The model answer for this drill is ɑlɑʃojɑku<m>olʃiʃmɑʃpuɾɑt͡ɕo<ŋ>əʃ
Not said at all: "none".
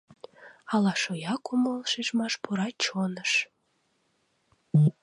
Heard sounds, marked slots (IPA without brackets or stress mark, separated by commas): m, n